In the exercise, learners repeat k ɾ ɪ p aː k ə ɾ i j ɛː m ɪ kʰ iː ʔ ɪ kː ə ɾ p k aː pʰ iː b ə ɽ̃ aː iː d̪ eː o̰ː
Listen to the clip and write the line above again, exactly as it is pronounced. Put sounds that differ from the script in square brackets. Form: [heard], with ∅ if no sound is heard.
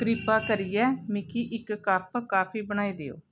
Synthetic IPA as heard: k ɾ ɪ p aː k ə ɾ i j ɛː m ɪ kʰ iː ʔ ɪ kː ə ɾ p k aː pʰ iː b ə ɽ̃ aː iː d̪ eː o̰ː